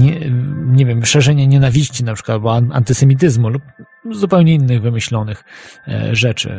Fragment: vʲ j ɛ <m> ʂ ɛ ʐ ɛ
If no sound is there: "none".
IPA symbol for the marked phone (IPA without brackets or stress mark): m